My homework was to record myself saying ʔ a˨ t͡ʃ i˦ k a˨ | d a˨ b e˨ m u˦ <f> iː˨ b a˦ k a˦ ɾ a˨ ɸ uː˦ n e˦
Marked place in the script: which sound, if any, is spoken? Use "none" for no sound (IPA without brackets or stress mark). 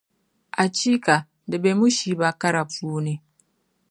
ʃ